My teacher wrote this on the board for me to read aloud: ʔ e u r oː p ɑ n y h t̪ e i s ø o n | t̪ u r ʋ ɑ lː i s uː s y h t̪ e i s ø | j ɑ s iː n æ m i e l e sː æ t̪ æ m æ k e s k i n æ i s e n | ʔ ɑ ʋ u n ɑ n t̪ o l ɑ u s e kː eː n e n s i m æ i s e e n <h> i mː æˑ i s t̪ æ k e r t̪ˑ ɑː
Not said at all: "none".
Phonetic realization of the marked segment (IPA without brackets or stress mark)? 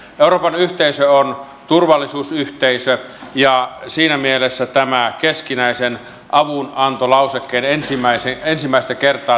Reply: s